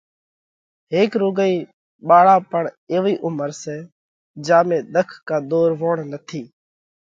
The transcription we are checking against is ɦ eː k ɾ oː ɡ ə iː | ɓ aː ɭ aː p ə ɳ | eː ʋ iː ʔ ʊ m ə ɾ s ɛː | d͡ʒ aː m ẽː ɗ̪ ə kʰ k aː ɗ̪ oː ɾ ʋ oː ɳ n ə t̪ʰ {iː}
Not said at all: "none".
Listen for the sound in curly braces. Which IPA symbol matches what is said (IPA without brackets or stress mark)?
iː